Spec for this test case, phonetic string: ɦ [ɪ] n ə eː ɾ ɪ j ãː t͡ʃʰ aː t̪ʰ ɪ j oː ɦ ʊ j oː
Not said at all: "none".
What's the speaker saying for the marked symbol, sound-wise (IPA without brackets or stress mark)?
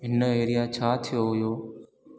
ɪ